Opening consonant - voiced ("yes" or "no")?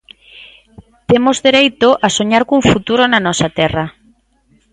no